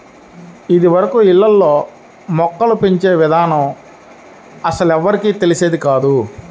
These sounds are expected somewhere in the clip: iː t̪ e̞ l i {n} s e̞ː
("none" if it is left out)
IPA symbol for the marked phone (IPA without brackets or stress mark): none